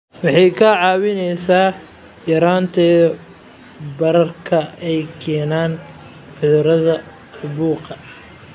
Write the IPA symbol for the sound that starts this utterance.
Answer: w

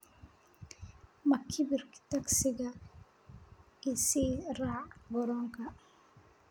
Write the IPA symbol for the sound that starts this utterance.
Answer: m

